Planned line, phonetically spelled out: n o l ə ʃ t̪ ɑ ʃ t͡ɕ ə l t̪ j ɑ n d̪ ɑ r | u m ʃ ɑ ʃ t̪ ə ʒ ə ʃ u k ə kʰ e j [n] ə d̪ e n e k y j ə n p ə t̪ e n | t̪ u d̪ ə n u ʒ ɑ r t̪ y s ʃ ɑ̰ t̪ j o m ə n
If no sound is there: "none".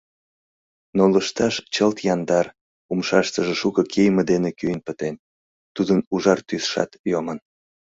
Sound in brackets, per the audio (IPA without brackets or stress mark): m